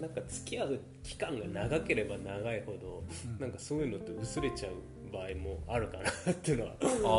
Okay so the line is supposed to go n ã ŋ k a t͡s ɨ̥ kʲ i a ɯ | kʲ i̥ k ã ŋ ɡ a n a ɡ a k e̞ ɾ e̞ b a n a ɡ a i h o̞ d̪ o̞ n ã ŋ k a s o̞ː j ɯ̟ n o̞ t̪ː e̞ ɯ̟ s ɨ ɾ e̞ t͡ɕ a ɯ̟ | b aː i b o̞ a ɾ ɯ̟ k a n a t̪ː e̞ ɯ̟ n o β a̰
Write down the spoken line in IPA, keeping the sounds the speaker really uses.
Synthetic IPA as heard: n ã ŋ k a t͡s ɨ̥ kʲ i a ɯ | kʲ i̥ k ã ŋ ɡ a n a ɡ a k e̞ ɾ e̞ b a n a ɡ a i h o̞ d̪ o̞ n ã ŋ k a s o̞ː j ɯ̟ n o̞ t̪ː e̞ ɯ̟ s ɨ ɾ e̞ t͡ɕ a ɯ̟ | b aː i m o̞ a ɾ ɯ̟ k a n a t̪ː e̞ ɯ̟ n o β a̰